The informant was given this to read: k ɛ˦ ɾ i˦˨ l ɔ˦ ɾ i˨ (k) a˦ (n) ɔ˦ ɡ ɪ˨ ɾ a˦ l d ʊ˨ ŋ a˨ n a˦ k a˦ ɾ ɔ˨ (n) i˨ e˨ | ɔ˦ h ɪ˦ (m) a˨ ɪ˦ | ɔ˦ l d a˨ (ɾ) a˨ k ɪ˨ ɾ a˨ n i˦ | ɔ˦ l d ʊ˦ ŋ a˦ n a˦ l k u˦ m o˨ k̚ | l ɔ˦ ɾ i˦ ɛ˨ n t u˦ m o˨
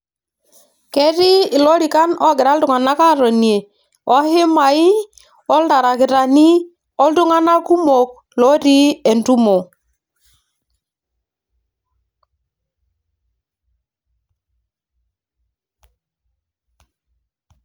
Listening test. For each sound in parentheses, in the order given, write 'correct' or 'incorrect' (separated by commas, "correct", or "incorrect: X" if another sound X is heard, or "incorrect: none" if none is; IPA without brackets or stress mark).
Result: correct, correct, correct, correct, correct